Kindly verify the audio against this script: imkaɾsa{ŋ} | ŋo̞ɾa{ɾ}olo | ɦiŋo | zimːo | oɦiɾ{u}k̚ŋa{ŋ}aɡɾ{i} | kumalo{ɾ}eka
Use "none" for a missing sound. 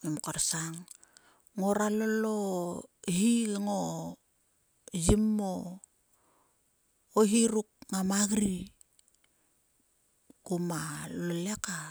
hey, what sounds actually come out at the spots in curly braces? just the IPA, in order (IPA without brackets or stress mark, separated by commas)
ŋ, l, u, m, i, l